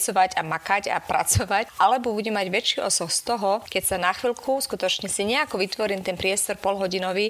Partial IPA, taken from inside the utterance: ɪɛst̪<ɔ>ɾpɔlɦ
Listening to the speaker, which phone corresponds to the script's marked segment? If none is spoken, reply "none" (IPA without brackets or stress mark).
ɔ